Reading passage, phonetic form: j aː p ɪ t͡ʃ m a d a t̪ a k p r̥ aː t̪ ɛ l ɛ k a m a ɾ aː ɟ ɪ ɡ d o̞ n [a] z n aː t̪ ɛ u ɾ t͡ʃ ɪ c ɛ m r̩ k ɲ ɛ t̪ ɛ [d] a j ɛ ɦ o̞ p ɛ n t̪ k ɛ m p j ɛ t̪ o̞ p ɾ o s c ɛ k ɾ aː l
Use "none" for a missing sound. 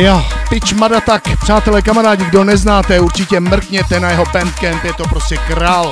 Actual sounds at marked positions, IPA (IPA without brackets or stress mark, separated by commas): ɛ, n